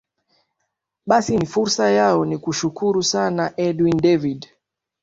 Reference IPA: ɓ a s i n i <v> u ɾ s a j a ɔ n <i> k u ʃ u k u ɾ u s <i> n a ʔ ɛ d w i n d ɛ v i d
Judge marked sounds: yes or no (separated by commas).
no, yes, no